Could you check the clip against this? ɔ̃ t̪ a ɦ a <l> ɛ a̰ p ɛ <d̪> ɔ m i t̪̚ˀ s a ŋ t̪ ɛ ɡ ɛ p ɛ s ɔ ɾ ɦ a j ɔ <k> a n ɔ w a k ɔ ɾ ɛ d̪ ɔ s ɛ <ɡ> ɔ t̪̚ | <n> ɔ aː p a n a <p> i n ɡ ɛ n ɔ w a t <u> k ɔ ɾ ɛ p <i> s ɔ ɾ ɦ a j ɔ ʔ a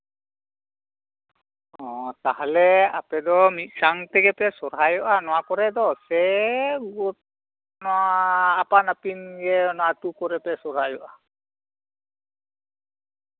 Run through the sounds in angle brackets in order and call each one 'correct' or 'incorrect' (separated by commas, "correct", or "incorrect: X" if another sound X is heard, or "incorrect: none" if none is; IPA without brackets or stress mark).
correct, correct, incorrect: ʔ, correct, correct, correct, correct, incorrect: ɛ